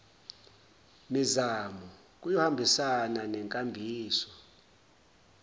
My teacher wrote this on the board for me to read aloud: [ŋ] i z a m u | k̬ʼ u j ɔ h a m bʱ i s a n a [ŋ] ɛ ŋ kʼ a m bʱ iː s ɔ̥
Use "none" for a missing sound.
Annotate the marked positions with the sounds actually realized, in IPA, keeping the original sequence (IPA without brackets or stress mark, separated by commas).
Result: m, n